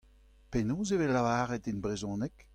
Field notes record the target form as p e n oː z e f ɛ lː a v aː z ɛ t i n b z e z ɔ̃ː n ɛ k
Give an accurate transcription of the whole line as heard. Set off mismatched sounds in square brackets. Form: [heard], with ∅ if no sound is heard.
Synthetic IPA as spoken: p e n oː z e [v] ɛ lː a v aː [ʁ] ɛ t i n b [ʁ] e z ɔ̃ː n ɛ k